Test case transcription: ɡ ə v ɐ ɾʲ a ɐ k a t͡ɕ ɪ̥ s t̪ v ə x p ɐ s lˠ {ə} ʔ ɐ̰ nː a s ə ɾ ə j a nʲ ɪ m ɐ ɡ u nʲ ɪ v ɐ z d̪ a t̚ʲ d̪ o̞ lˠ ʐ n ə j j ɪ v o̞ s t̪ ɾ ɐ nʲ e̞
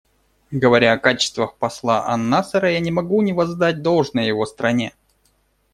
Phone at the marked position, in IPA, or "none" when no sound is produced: a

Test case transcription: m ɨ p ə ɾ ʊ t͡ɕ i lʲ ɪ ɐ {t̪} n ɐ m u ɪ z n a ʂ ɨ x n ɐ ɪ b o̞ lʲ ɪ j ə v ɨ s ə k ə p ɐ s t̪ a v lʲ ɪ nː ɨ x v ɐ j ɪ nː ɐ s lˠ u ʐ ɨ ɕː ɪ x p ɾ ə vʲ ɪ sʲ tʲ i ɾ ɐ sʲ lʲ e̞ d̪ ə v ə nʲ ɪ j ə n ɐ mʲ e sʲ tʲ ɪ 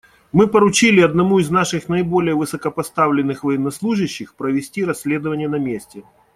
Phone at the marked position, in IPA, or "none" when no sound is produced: d̪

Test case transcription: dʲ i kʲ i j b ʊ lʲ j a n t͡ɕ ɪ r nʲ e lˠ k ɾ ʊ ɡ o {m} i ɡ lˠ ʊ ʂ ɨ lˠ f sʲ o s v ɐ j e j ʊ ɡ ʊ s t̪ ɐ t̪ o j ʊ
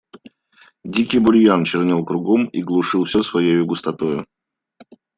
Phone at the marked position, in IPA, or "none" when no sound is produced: m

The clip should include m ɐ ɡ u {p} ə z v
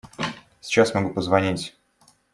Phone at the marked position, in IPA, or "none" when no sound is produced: p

